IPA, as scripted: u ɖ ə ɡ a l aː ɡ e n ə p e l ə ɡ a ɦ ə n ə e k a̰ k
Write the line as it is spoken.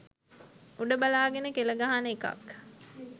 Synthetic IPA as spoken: u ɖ ə b a l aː ɡ e n ə k e l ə ɡ a ɦ a n ə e k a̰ k